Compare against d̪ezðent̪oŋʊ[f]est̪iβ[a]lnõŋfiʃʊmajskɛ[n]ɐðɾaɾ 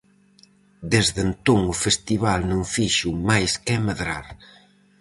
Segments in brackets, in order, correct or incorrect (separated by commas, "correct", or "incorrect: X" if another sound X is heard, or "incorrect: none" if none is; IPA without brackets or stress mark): correct, correct, incorrect: m